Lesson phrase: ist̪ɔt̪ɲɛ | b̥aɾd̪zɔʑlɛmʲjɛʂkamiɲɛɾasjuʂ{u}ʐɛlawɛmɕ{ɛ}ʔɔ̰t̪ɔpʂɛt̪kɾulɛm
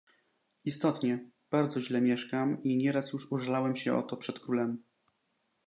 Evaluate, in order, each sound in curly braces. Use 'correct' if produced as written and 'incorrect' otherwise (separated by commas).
correct, correct